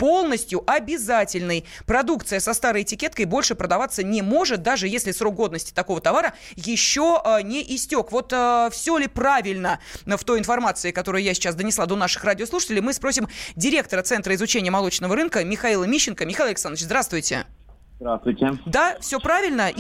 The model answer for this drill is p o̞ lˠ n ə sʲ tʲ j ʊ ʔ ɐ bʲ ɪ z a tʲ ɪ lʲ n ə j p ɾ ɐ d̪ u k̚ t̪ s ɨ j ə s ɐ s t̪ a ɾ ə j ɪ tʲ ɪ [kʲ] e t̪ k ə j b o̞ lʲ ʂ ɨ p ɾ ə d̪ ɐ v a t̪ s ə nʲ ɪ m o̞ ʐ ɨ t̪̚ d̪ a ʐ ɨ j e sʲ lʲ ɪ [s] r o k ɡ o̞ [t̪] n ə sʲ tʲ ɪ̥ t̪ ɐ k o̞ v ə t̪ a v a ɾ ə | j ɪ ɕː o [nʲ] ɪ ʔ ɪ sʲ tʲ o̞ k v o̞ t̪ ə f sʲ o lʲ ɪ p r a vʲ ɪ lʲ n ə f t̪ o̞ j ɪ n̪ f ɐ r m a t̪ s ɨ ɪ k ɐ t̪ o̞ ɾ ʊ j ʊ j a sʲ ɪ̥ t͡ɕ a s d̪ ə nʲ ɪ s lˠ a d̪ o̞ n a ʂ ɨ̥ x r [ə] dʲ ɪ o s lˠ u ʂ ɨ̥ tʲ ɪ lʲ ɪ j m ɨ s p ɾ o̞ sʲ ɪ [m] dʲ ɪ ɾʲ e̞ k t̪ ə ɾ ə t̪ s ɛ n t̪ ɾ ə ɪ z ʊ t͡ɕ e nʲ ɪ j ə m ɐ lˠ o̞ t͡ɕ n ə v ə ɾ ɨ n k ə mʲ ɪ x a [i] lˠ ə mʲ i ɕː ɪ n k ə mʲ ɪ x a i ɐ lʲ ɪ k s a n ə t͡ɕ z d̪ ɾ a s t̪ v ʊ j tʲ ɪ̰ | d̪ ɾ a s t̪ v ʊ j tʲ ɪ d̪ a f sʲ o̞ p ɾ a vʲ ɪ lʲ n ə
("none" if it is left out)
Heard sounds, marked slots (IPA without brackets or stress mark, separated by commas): kʲ, s, d̪, nʲ, a, m, i